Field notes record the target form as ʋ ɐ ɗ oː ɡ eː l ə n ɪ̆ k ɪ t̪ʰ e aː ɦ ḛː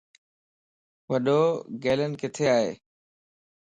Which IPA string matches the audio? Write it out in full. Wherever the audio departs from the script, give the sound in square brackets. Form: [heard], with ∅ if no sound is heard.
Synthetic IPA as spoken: ʋ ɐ ɗ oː ɡ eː l ə n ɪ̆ k ɪ t̪ʰ e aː ɦ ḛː